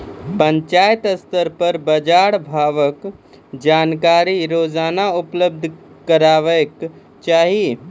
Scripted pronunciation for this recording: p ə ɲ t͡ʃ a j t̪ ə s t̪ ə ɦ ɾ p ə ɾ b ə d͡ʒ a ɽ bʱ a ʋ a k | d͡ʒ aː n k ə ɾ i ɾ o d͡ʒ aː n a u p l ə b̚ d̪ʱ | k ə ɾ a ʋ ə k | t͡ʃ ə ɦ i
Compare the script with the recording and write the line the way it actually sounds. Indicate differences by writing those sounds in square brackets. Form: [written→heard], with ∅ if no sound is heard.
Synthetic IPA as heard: p ə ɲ t͡ʃ a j t̪ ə s t̪ ə [ɦ→∅] ɾ p ə ɾ b ə d͡ʒ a ɽ bʱ a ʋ [a→ə] k | d͡ʒ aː n k [ə→a] ɾ i ɾ o d͡ʒ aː n a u p l ə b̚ d̪ʱ | k ə ɾ a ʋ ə k | t͡ʃ [ə→a] ɦ i